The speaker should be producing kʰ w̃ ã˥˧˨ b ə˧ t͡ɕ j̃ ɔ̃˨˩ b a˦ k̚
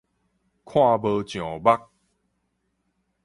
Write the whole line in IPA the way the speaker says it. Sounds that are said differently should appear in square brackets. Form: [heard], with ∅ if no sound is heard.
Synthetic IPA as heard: kʰ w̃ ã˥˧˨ b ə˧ t͡ɕ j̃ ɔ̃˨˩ b a˦ k̚